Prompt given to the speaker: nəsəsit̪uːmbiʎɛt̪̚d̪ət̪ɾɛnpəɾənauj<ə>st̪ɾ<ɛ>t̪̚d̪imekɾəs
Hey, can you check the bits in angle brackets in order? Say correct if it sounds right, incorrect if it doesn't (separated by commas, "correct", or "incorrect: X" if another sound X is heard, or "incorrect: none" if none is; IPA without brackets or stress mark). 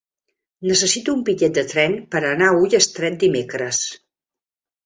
correct, correct